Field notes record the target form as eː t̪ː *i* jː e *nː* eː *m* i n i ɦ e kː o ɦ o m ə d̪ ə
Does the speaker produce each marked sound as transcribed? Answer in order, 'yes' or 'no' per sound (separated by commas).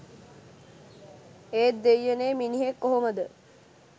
no, no, yes